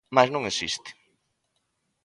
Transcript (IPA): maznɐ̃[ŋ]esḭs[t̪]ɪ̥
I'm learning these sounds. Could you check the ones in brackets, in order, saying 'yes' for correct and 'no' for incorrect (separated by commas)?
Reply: yes, yes